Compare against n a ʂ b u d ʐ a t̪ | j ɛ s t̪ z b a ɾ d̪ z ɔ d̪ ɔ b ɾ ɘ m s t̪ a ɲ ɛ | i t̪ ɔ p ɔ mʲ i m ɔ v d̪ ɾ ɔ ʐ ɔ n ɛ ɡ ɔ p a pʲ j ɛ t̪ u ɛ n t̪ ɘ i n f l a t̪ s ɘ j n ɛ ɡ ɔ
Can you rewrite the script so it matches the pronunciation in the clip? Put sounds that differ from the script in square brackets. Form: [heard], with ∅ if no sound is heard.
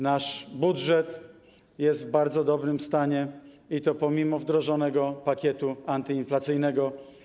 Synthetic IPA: n a ʂ b u d ʐ [ɛ] t̪ | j ɛ s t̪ [v] b a ɾ d̪ z ɔ d̪ ɔ b ɾ ɘ m s t̪ a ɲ ɛ | i t̪ ɔ p ɔ mʲ i m ɔ v d̪ ɾ ɔ ʐ ɔ n ɛ ɡ ɔ p a [kʲ] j ɛ t̪ u [a] n t̪ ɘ i n f l a t̪ s ɘ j n ɛ ɡ ɔ